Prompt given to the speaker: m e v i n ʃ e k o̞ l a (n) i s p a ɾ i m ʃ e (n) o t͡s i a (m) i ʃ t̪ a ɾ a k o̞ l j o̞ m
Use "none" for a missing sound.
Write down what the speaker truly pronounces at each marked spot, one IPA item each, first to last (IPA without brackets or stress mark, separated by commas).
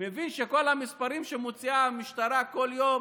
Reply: m, m, m